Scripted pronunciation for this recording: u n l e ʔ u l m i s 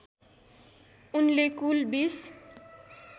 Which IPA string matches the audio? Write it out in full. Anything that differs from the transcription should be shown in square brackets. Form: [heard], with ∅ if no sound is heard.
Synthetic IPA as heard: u n l e [k] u l [b] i s

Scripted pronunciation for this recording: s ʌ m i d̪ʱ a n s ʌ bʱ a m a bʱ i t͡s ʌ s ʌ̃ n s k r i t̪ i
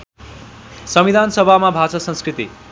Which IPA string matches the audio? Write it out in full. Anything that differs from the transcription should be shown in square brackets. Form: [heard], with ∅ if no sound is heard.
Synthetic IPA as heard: s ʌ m i d̪ʱ a n s ʌ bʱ a m a bʱ [a] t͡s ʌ s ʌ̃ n s k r i t̪ i

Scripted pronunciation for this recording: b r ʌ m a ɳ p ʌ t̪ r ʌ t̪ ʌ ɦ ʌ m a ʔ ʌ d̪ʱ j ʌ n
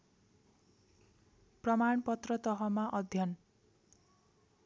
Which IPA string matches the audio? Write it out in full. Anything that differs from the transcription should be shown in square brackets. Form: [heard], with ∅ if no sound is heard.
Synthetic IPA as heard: [p] r ʌ m a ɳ p ʌ t̪ r ʌ t̪ ʌ ɦ ʌ m a ʔ ʌ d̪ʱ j ʌ n

